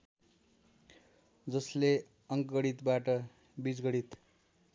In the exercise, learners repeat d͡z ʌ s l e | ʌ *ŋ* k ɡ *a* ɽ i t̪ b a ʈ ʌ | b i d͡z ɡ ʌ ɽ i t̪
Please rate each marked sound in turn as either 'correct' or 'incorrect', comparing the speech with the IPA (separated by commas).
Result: correct, incorrect